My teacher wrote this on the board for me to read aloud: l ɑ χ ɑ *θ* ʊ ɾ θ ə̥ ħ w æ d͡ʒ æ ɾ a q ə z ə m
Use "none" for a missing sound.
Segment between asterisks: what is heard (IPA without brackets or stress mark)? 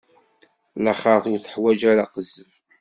θ